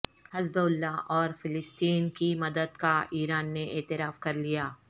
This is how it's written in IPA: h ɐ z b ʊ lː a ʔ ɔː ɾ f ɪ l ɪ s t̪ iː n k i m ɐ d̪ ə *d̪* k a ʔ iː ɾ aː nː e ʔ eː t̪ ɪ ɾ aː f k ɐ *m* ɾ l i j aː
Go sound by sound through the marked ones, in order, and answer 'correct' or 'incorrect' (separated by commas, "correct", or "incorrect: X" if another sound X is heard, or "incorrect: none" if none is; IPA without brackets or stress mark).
correct, incorrect: none